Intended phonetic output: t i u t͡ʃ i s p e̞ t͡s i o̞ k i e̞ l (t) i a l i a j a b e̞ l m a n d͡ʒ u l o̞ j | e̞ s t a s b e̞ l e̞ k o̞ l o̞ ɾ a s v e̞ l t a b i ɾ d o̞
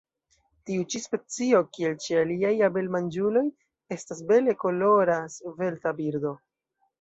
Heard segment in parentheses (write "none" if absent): t͡ʃ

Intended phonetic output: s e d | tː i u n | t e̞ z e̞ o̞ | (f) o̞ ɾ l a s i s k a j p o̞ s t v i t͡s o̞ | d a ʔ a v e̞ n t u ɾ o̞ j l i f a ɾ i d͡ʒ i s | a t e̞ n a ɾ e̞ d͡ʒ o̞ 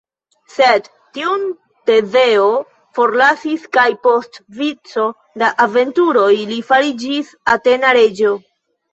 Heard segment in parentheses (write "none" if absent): f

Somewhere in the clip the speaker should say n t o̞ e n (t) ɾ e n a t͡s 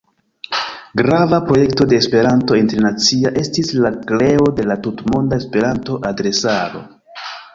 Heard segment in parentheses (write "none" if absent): t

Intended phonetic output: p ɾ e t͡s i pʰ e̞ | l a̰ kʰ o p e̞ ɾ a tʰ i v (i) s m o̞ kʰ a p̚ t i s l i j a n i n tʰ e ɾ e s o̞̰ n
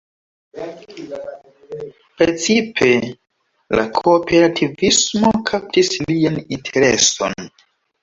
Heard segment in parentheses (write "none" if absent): i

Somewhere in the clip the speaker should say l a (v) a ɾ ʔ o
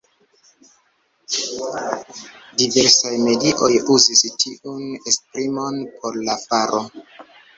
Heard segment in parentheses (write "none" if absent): f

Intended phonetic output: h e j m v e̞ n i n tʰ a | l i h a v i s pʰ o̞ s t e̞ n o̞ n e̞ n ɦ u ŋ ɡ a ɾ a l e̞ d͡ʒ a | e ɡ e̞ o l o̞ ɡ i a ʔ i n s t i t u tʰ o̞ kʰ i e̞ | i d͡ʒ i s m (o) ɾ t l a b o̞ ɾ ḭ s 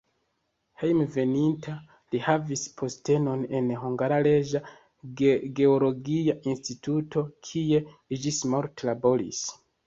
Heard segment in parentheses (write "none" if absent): o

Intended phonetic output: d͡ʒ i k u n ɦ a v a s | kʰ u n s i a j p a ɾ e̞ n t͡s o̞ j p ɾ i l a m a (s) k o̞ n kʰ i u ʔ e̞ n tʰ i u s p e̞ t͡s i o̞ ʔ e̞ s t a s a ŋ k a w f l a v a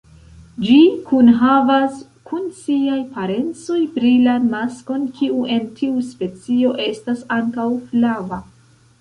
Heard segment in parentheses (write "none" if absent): s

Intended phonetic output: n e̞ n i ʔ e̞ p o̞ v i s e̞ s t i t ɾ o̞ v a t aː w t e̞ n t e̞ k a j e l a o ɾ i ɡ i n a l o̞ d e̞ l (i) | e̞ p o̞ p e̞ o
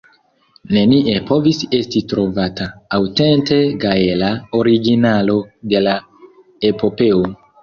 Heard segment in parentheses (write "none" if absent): a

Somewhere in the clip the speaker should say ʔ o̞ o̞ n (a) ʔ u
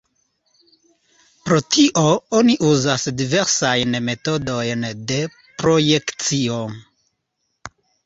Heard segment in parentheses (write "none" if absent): i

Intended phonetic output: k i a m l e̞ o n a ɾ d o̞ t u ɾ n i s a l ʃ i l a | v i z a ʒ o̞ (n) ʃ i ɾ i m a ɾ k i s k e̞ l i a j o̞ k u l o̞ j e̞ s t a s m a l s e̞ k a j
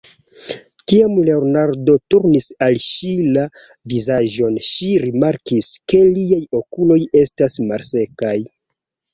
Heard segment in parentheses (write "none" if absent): n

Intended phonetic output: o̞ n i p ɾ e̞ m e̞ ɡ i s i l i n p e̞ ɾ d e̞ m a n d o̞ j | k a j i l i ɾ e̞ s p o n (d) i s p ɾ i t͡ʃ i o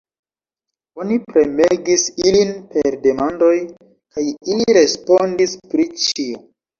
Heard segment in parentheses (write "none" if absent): d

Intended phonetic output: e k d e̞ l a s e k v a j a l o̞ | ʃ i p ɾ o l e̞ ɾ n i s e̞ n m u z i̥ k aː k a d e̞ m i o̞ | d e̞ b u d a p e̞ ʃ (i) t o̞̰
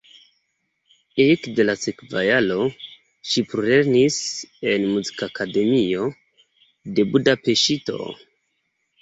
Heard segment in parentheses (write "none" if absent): i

